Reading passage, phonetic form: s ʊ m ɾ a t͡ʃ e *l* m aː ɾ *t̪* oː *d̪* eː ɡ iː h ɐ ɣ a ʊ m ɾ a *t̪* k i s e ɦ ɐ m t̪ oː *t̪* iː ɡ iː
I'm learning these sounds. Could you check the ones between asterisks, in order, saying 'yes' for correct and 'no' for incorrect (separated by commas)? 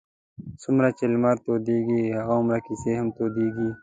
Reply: yes, yes, yes, no, no